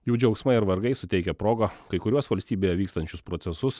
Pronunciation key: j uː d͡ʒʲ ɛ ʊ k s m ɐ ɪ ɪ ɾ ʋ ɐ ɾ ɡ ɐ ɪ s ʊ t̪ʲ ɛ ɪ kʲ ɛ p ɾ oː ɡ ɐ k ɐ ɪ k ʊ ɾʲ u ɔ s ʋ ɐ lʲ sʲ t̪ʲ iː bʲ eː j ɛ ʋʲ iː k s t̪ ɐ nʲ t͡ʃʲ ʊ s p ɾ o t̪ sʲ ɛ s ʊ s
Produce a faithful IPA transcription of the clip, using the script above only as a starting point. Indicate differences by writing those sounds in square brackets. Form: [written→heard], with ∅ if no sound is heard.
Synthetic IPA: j uː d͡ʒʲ ɛ ʊ k s m ɐ ɪ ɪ ɾ ʋ ɐ ɾ ɡ ɐ ɪ s ʊ t̪ʲ ɛ ɪ kʲ ɛ p ɾ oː ɡ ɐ k ɐ ɪ k ʊ ɾʲ u ɔ s ʋ ɐ lʲ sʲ t̪ʲ iː bʲ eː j ɛ ʋʲ iː k s t̪ ɐ nʲ t͡ʃʲ ʊ s p ɾ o t̪ sʲ ɛ s ʊ s